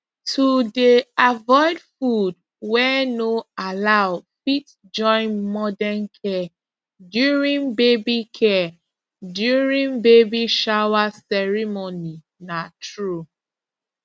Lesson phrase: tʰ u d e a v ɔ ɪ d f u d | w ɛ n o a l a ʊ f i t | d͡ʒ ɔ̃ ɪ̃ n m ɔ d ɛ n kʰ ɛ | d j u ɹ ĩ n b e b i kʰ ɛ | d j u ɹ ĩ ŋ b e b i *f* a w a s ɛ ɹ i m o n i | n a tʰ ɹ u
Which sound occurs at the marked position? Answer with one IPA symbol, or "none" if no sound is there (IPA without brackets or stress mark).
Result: ʃ